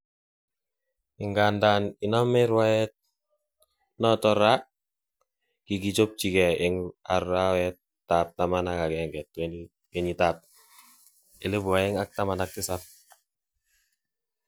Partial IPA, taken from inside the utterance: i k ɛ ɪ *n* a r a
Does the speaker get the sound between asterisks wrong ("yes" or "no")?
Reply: yes